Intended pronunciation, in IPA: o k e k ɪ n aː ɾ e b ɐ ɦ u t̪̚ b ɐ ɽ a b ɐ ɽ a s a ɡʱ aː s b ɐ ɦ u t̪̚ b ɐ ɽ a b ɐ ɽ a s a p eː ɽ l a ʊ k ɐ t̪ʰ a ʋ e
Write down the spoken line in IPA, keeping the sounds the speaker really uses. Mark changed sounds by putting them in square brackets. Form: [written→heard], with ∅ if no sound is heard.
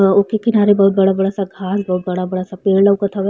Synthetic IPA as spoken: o k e k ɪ n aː ɾ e b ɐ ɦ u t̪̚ b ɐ ɽ a b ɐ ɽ a s a ɡʱ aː s b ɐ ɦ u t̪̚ b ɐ ɽ a b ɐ ɽ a s a p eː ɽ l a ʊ k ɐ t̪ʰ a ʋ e